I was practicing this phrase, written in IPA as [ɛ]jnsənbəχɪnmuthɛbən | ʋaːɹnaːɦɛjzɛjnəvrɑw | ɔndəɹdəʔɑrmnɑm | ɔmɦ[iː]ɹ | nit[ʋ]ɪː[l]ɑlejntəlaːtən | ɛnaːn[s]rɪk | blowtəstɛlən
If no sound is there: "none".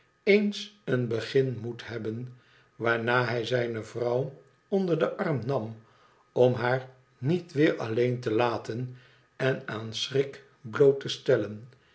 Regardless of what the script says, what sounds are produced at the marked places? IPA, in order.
e, aː, ʋ, ɹ, s

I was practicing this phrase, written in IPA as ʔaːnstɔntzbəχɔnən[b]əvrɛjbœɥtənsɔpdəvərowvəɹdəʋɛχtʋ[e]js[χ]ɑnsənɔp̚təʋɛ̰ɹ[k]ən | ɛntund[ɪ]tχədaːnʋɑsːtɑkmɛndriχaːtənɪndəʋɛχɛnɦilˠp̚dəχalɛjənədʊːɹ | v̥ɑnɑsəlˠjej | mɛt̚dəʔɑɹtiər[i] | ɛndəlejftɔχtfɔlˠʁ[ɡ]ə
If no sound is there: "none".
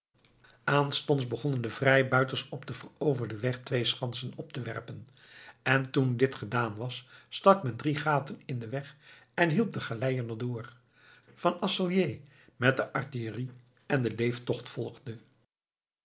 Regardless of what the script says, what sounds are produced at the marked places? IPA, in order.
d, e, χ, p, ɪ, i, d

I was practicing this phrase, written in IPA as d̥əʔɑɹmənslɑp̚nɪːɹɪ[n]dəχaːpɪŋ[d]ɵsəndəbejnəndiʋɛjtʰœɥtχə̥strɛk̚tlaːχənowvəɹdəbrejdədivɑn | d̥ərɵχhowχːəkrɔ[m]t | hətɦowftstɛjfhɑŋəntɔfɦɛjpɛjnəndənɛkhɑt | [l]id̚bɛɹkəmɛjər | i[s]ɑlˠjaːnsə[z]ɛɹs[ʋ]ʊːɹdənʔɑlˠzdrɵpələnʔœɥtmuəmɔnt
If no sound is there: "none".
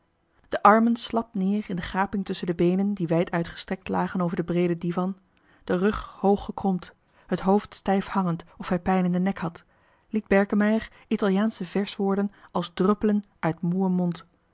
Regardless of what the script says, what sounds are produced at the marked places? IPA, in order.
n, t, m, l, t, v, ʋ

